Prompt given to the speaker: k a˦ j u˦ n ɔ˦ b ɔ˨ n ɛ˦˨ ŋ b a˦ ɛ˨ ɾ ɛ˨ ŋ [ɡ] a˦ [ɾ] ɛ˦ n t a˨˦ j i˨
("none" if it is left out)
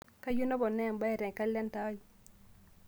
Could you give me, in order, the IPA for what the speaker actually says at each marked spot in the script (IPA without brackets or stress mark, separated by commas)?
k, l